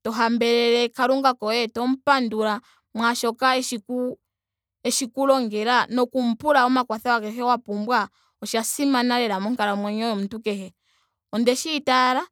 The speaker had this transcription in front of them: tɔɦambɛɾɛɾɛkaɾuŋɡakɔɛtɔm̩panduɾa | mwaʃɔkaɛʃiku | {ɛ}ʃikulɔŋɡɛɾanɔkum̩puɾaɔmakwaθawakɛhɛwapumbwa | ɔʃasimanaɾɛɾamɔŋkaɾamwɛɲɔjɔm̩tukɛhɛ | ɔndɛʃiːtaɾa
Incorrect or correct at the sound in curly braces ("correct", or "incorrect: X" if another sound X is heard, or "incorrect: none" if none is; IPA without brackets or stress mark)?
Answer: correct